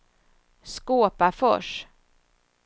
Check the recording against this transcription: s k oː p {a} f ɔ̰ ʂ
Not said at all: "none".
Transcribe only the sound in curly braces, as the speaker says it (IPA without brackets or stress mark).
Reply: a